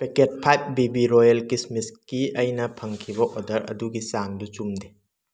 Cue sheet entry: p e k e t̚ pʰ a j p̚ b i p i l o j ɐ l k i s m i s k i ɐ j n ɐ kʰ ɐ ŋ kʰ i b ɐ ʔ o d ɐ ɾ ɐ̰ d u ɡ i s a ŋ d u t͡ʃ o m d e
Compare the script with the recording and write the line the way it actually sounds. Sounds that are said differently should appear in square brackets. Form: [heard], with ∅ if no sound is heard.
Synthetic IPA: p e k e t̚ pʰ a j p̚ b i [b] i [ɾ] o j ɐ l k i s m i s k i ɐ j n ɐ [pʰ] ɐ ŋ kʰ i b ɐ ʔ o d ɐ ɾ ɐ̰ d u ɡ i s a ŋ d u t͡ʃ [u] m d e